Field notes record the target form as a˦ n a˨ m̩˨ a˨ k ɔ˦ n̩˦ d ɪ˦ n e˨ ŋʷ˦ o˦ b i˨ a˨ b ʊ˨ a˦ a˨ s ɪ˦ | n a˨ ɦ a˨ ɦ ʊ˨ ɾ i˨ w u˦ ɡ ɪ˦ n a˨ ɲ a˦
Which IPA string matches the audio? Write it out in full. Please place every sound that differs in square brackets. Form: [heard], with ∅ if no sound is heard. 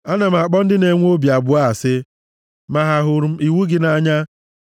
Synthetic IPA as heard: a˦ n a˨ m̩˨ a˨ [k͡p] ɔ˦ n̩˦ d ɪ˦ n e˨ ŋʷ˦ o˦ b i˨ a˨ b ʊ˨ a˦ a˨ s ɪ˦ | [m] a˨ ɦ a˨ ɦ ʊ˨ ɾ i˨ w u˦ ɡ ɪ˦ n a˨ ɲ a˦